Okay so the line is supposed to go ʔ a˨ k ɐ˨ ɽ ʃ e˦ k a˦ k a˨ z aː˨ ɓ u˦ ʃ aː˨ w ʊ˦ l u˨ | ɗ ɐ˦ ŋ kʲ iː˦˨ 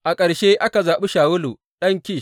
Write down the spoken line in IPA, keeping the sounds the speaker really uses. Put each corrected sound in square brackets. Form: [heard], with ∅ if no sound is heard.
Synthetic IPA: ʔ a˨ [kʼ] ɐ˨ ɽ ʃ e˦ [ʔ] a˦ k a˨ z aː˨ ɓ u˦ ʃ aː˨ w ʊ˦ l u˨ | ɗ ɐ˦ ŋ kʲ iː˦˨

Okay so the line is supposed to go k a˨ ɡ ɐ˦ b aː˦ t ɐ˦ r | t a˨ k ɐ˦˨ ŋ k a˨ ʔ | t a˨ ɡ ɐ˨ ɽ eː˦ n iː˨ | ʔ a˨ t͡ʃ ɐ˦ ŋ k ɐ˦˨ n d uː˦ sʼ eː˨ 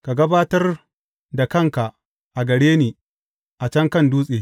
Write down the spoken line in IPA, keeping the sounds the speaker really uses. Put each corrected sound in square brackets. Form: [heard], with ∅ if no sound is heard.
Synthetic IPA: k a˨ ɡ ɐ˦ b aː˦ t ɐ˦ r | [d] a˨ k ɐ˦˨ ŋ k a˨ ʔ | [ʔ] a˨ ɡ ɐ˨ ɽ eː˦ n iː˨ | ʔ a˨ t͡ʃ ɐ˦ ŋ k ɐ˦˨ n d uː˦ sʼ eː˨

